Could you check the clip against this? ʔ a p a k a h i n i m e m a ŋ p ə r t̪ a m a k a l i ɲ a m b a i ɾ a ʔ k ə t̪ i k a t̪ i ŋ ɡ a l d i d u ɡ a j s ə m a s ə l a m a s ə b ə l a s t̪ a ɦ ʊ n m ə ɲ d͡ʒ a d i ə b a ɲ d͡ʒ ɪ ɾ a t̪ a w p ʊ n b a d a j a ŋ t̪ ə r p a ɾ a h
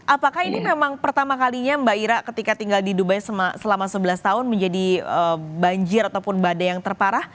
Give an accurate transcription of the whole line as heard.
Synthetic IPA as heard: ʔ a p a k a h i n i m e m a ŋ p ə r t̪ a m a k a l i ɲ a m b a i ɾ a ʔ k ə t̪ i k a t̪ i ŋ ɡ a l d i d u b a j s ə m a s ə l a m a s ə b ə l a s t̪ a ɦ ʊ n m ə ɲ d͡ʒ a d i ə b a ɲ d͡ʒ ɪ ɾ a t̪ a w p ʊ n b a d a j a ŋ t̪ ə r p a ɾ a h